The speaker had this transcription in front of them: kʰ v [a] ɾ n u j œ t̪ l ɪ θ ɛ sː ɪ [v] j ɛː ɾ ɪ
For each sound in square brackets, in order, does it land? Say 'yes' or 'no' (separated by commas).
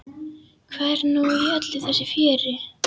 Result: no, no